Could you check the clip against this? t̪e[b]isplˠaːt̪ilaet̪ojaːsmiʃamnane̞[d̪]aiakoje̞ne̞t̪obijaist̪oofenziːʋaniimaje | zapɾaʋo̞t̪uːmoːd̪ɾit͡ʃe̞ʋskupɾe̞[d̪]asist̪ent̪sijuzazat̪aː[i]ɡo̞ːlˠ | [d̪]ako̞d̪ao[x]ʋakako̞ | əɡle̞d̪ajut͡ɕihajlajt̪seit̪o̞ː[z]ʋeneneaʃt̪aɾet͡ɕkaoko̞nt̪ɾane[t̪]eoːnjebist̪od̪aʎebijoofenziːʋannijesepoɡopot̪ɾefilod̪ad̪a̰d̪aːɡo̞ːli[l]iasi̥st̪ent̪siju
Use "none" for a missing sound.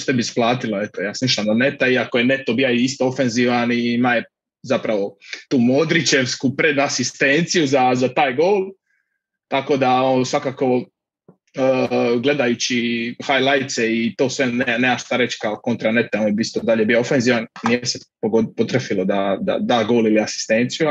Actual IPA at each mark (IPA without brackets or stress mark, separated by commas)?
b, t̪, d̪, j, t̪, s, s, t̪, l